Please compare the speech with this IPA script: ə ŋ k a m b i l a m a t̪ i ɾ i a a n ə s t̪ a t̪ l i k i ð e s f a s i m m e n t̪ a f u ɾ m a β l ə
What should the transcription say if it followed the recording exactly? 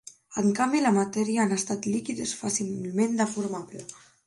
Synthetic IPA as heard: ə ŋ k a m b i l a m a t̪ ɛ ɾ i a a n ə s t̪ a t̪ l i k i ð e s f a s i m m e n d̪ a f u ɾ m a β l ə